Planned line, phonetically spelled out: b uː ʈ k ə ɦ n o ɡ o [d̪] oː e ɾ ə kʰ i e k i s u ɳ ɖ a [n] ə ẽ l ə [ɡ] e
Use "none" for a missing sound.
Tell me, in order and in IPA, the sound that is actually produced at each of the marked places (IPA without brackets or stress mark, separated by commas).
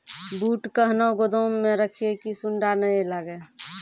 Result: d̪, n, ɡ